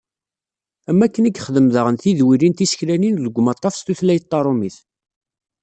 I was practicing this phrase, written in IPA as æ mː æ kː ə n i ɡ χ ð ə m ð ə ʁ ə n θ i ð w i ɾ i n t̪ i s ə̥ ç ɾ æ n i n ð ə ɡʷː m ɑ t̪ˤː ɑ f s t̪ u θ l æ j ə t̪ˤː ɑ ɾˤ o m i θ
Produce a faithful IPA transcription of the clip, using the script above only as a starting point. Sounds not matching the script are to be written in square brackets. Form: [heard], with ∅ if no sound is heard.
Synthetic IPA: æ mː æ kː ə n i ɡ χ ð ə m ð ə ʁ ə n θ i ð w i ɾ i n t̪ i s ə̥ ç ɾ æ n i n ð ə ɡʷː m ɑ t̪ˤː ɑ f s t̪ u θ l æ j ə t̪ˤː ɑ ɾˤ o m i θ

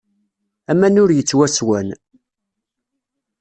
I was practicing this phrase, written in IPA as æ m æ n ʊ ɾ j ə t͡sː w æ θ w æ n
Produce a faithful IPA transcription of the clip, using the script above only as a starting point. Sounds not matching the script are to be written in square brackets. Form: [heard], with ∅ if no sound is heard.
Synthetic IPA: æ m æ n ʊ ɾ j ə t͡sː w æ [s] w æ n

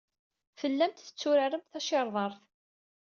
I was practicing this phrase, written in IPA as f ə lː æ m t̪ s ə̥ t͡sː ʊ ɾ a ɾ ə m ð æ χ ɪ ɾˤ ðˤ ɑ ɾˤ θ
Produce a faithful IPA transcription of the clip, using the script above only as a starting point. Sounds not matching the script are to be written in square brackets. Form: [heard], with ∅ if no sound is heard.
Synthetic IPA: f ə lː æ m t̪ [θ] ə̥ t͡sː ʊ ɾ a ɾ ə m [θ] æ [ʃ] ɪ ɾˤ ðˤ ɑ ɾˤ θ

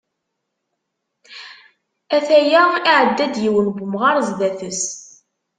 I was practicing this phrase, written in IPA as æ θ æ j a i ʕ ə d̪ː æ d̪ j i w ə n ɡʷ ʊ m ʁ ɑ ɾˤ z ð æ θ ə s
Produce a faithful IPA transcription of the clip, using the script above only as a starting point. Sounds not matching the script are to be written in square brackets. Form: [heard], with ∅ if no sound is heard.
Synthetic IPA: æ θ æ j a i ʕ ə d̪ː æ d̪ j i w ə n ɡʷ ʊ m ʁ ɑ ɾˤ z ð æ θ ə s

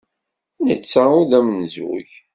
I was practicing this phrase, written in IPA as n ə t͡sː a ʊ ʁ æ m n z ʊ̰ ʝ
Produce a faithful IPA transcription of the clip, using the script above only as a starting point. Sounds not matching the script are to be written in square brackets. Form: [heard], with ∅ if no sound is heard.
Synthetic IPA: n ə t͡sː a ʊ [ð] æ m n z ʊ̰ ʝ

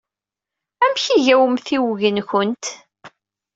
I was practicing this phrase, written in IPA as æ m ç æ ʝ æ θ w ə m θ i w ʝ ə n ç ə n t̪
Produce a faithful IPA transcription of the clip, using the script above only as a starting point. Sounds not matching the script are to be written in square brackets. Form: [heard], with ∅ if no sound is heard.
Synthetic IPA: æ m ç [i] ʝ æ [∅] w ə m θ i w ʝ ə n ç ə n t̪

